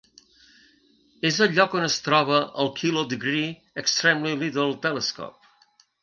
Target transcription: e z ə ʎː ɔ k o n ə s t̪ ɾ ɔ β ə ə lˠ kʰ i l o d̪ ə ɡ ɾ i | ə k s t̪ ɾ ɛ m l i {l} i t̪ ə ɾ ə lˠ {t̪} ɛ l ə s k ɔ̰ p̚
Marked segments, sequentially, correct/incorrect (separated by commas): correct, correct